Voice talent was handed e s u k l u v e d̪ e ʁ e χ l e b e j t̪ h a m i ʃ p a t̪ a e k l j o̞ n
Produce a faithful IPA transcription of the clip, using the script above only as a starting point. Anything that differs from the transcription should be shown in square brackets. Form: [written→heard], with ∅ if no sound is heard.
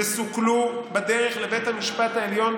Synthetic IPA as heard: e s u k l u [v→b] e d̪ e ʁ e χ l e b e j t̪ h a m i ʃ p a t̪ a e [k→∅] l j o̞ n